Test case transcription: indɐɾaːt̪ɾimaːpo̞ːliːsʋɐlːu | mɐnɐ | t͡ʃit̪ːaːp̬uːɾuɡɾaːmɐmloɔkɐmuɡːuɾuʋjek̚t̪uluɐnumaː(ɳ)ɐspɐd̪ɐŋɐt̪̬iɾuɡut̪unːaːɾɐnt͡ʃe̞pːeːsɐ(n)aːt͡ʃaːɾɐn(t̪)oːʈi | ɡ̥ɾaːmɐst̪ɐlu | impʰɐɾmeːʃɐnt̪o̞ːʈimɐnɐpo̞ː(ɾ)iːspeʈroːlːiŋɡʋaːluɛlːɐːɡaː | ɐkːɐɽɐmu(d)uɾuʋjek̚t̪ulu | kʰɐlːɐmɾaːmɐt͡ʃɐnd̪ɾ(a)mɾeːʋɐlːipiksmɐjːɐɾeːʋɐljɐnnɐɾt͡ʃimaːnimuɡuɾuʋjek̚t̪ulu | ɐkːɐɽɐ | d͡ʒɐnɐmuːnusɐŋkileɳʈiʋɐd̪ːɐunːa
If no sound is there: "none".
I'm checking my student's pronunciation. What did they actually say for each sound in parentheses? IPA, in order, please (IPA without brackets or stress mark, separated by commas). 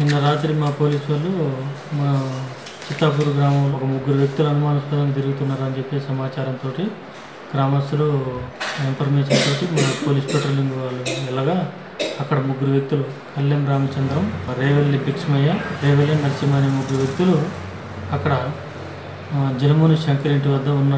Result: n, m, t̪, l, ɡ, ɐ